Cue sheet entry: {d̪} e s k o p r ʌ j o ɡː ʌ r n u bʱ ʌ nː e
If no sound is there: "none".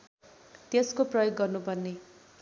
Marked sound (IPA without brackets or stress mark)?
t̪